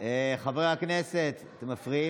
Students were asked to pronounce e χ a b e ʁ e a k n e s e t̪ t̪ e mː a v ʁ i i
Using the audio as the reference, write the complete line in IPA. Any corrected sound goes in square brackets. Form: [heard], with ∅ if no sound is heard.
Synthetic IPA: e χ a [v] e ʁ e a k n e s e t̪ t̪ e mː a [f] ʁ i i